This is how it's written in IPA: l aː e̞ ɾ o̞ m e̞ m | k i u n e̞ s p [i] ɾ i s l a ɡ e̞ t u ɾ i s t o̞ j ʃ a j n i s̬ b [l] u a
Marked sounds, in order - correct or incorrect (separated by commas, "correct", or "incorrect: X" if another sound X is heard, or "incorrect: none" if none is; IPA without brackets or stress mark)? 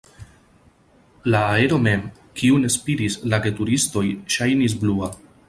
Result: correct, correct